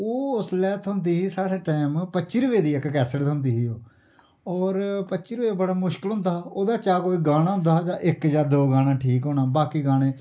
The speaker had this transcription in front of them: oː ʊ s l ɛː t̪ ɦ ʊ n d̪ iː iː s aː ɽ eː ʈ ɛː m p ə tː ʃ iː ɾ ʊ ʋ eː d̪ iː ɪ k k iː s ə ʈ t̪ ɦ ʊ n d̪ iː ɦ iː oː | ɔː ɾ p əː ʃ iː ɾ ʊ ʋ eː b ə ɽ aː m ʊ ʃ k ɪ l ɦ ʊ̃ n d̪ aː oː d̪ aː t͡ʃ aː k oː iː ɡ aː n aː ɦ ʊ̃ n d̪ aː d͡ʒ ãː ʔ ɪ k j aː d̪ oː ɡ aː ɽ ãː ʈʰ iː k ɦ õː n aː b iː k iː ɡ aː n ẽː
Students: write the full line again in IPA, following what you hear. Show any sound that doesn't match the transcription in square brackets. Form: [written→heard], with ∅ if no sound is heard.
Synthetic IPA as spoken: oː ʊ s l ɛː t̪ ɦ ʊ n d̪ iː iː s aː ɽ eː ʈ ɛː m p ə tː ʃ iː ɾ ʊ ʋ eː d̪ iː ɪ k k [iː→ɛː] s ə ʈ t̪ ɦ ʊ n d̪ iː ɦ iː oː | ɔː ɾ p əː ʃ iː ɾ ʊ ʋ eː b ə ɽ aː m ʊ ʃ k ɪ l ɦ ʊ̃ n d̪ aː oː d̪ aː t͡ʃ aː k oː iː ɡ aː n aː ɦ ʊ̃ n d̪ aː d͡ʒ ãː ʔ ɪ k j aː d̪ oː ɡ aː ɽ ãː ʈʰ iː k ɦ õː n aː b [iː→aː] k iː ɡ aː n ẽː